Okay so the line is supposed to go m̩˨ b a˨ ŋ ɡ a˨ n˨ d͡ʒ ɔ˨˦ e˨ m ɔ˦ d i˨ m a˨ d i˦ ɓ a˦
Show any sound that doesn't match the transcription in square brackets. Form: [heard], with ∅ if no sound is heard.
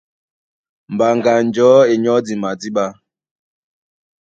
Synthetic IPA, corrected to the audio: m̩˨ b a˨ ŋ ɡ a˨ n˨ d͡ʒ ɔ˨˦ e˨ [ɲ] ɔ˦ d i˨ m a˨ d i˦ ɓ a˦